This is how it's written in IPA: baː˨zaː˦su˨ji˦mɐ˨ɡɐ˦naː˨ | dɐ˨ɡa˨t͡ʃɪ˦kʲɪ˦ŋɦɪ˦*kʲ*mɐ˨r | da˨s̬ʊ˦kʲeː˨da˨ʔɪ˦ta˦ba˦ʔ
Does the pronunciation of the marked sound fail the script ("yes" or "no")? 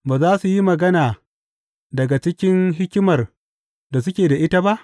no